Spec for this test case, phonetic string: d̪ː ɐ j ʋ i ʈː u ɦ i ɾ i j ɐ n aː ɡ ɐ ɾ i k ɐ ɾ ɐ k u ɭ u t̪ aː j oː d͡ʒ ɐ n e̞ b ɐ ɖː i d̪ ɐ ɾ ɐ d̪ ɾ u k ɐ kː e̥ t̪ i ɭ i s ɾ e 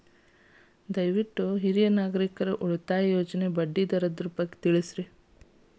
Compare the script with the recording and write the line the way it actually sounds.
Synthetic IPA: d̪ ɐ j ʋ i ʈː u ɦ i ɾ i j ɐ n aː ɡ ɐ ɾ i k ɐ ɾ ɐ ʔ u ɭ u t̪ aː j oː d͡ʒ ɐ n e̞ b ɐ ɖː i d̪ ɐ ɾ ɐ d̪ ɾ u p ɐ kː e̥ t̪ i ɭ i s ɾ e